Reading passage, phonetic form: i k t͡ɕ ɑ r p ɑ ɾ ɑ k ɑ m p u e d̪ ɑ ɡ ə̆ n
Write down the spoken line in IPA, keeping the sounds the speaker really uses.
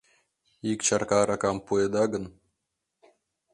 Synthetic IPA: i k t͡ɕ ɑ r k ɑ ɾ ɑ k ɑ m p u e d̪ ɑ ɡ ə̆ n